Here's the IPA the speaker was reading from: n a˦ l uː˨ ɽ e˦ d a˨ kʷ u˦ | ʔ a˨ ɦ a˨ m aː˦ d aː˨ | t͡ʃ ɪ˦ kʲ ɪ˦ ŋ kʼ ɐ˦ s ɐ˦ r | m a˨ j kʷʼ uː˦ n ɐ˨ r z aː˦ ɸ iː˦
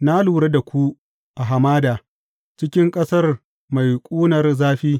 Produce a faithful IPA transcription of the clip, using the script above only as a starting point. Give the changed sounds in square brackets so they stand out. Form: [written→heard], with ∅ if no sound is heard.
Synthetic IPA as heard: n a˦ l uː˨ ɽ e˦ d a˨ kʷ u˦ | ʔ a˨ ɦ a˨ m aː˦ d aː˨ | t͡ʃ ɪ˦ kʲ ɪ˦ ŋ kʼ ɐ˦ s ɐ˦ r | m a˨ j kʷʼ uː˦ n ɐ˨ r z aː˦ ɸ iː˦